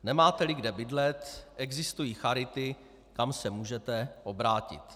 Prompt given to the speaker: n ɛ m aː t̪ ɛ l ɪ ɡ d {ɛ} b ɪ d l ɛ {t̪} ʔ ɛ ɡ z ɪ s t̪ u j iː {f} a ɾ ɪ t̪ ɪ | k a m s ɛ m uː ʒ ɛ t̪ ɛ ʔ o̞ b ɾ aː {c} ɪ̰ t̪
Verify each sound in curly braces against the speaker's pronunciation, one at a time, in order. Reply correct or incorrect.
correct, correct, incorrect: x, correct

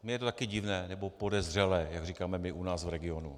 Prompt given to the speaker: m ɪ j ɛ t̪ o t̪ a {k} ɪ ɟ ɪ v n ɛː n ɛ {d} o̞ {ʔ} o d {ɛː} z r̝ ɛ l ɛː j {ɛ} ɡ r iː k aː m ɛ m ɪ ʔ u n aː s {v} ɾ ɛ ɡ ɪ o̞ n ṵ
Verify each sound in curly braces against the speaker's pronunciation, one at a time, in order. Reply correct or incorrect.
correct, incorrect: b, incorrect: p, incorrect: ɛ, incorrect: a, correct

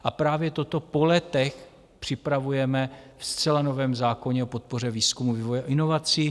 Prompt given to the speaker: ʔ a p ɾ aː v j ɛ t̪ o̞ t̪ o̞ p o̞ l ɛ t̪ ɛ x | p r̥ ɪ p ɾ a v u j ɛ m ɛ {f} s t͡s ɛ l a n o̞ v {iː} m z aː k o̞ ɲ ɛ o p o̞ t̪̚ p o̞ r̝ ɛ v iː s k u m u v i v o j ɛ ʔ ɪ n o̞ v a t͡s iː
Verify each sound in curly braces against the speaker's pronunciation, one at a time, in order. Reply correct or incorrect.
correct, incorrect: ɛː

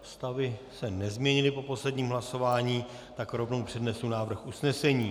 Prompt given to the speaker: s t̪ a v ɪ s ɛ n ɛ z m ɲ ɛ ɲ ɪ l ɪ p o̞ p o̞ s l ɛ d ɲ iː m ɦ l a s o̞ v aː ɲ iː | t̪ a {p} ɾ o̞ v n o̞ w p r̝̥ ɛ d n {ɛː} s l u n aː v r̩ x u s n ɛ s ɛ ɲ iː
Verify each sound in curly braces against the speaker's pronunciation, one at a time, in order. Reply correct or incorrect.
incorrect: k, incorrect: ɛ

